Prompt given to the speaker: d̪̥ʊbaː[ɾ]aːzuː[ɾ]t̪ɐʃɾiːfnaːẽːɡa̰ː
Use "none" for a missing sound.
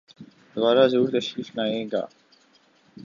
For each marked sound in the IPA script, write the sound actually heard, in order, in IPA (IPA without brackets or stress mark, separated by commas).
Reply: ɾ, ɾ